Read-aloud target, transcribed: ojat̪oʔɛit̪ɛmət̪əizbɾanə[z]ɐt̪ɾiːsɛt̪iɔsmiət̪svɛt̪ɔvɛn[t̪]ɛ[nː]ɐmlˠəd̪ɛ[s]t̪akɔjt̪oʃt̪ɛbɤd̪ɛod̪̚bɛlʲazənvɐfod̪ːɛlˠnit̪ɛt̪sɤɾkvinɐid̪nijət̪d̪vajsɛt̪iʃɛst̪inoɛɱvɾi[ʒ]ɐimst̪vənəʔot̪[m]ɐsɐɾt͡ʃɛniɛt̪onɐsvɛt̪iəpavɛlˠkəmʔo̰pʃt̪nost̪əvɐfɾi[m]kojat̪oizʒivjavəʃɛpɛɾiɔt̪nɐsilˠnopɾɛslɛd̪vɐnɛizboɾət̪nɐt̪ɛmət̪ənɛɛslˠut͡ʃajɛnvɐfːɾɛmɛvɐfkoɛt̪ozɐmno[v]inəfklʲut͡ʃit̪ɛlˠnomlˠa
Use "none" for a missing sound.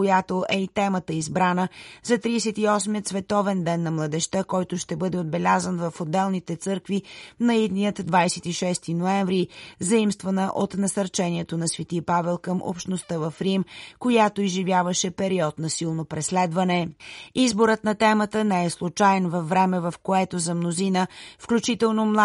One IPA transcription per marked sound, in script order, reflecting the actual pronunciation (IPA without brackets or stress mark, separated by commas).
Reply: z, d̪, nː, ʃ, z, n, m, z